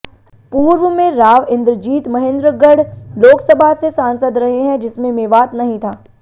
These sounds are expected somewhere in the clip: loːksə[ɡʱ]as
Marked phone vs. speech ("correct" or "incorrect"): incorrect